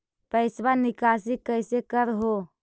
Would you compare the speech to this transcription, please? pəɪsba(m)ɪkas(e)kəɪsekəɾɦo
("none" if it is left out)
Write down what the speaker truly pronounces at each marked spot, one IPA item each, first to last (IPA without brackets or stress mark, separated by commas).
n, i